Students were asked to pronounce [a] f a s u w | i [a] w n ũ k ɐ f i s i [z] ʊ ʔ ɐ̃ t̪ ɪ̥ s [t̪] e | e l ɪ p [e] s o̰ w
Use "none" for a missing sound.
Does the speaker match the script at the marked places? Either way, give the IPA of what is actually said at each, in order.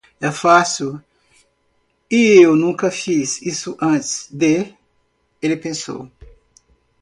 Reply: ɛ, e, s, d̪, ẽ

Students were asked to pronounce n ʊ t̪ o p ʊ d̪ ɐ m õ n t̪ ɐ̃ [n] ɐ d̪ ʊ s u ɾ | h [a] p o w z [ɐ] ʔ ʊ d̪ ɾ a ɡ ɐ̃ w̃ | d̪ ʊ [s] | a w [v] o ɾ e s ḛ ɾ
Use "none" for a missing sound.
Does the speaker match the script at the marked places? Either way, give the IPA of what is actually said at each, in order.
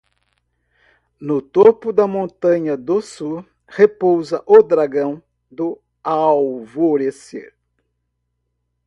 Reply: ɲ, e, ɐ, none, v

